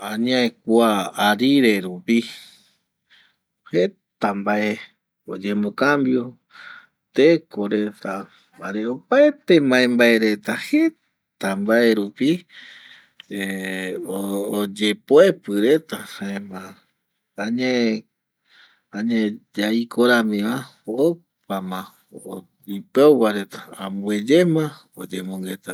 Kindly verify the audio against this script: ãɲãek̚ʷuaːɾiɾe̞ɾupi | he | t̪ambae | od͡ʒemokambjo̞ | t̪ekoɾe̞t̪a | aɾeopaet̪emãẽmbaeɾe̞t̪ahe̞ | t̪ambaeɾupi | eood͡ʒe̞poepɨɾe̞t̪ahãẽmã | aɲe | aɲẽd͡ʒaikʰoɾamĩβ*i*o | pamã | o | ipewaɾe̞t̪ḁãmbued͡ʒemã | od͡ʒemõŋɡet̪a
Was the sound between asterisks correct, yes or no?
no